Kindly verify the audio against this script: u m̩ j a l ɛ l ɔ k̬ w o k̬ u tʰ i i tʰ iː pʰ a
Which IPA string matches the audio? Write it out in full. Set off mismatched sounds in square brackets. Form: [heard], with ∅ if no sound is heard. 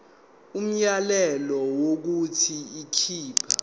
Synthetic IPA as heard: u m̩ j a l ɛ l ɔ [∅] w o k̬ u tʰ i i [kʰ] iː pʰ a